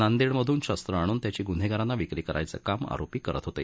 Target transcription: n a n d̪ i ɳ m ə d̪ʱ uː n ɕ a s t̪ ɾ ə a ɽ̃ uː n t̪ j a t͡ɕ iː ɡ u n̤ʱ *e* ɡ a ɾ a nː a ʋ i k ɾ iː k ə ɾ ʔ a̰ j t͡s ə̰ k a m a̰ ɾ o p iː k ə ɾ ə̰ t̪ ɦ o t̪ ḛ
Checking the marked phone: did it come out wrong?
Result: no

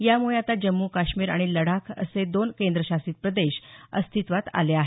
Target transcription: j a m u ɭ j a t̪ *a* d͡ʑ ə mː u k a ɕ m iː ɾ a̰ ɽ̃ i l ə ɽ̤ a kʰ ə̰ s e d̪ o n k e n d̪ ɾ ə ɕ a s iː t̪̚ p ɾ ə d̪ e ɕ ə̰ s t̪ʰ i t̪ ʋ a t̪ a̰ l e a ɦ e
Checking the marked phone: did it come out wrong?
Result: no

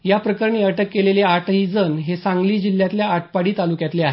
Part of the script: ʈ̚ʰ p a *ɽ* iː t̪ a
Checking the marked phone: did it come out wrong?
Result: no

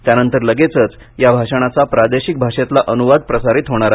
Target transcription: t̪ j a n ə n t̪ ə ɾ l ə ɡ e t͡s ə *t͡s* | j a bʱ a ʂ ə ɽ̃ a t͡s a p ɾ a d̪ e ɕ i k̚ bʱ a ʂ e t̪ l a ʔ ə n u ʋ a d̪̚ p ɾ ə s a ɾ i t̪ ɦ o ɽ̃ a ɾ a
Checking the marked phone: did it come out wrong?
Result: no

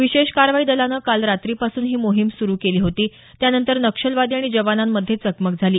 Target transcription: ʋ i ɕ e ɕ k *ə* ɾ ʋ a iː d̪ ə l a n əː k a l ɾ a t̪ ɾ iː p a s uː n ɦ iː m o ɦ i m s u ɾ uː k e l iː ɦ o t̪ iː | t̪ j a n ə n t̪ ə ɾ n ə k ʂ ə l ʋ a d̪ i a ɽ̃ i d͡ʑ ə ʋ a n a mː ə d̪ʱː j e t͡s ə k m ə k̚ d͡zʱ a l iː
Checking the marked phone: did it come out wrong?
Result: yes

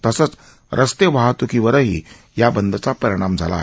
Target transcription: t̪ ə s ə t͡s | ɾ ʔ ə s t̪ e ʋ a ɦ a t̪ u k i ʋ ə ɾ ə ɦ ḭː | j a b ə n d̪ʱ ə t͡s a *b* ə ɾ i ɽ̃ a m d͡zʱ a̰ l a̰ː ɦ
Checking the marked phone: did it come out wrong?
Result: yes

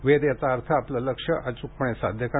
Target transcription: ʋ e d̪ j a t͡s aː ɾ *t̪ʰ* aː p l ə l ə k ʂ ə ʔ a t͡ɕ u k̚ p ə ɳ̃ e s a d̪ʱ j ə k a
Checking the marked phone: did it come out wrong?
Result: no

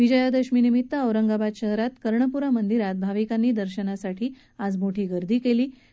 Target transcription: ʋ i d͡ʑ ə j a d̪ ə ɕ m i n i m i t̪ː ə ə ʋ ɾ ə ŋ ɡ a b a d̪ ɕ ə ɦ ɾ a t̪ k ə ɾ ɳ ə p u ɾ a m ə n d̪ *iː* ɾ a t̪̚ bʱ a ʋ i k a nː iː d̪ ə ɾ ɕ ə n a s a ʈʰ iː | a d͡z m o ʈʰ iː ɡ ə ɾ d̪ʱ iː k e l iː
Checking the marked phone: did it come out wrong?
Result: yes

